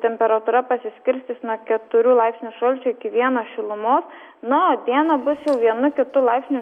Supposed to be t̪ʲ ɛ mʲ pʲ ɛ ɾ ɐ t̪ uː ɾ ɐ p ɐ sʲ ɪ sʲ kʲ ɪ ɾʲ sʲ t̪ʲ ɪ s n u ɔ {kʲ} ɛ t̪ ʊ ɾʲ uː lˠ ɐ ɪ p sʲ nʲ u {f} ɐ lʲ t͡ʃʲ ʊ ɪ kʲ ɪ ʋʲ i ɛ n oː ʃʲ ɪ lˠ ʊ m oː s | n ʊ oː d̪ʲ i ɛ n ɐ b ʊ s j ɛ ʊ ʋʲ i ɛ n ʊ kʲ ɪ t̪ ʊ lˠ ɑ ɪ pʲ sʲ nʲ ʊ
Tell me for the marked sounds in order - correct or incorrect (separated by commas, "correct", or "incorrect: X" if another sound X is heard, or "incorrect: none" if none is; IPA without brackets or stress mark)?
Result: correct, incorrect: ʃ